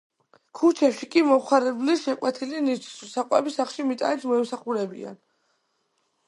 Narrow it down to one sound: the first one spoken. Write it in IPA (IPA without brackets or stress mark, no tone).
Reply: kʰ